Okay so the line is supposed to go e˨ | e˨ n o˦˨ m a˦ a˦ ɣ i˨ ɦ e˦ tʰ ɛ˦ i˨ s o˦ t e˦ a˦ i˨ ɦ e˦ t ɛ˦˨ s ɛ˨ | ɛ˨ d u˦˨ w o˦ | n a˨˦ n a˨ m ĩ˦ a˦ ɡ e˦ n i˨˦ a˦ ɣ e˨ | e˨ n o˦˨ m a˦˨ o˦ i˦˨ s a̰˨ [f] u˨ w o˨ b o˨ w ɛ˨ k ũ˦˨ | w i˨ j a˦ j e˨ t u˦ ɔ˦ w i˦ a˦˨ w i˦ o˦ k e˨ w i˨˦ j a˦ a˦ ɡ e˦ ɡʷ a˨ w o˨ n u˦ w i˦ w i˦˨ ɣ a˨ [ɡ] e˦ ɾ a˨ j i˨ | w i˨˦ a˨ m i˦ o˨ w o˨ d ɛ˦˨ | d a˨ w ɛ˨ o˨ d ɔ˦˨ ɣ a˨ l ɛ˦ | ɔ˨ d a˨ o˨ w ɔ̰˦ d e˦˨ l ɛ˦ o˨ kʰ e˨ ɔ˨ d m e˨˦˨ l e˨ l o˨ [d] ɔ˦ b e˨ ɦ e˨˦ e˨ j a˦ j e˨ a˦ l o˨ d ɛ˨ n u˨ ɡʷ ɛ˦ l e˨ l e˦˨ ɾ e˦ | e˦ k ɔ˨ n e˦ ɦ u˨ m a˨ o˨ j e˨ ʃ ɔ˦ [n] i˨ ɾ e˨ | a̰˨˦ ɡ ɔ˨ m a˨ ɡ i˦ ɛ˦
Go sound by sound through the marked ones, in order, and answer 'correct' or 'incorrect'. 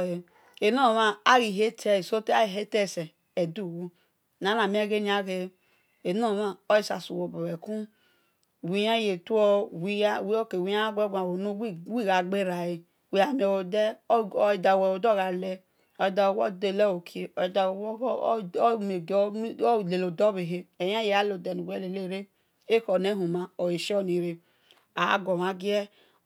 incorrect, incorrect, correct, correct

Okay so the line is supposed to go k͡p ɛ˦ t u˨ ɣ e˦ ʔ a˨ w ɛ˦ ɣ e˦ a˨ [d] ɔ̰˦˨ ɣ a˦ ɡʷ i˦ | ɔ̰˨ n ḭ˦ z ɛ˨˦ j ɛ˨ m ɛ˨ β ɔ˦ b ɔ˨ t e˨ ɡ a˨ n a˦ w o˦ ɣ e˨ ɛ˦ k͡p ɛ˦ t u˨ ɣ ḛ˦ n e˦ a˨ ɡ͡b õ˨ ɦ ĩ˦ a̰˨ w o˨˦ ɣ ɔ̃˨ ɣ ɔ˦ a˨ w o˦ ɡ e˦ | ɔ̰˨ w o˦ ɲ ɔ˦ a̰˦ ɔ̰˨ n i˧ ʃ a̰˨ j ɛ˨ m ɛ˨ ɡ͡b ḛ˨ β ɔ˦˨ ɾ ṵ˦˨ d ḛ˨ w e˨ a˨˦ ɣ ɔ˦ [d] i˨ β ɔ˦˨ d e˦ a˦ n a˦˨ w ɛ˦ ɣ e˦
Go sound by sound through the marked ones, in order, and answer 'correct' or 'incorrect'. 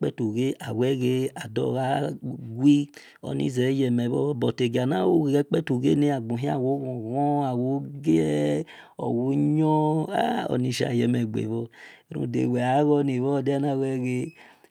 correct, incorrect

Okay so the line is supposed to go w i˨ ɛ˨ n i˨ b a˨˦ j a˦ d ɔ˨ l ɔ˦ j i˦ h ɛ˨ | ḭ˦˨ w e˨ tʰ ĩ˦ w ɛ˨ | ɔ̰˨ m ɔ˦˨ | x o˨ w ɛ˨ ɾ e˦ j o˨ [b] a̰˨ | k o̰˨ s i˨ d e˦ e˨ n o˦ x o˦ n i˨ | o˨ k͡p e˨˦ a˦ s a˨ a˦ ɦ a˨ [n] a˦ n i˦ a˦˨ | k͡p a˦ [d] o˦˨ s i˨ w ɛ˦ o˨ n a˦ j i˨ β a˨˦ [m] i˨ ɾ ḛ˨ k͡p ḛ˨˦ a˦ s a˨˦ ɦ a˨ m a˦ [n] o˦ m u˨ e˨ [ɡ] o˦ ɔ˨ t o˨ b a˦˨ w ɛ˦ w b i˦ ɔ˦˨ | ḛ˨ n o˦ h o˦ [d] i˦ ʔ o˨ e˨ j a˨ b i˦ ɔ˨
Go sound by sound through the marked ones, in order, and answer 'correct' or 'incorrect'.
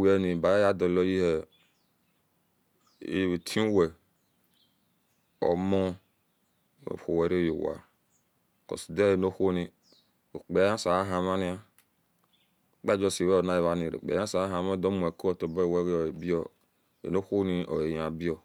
incorrect, incorrect, incorrect, incorrect, incorrect, incorrect, incorrect

